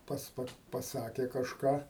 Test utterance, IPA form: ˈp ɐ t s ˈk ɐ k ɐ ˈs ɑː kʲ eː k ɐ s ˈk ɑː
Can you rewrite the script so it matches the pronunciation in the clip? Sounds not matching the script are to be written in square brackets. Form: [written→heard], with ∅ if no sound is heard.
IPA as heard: ˈp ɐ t s [ˈk→ˈp] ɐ [k→p] ɐ ˈs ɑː kʲ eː k ɐ [s→ʃ] ˈk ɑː